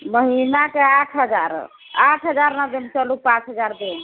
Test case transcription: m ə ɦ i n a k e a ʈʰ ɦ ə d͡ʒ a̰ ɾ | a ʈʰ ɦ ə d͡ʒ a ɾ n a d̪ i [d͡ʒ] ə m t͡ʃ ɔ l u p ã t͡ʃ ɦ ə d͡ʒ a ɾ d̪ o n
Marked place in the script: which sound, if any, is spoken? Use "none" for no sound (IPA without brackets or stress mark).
none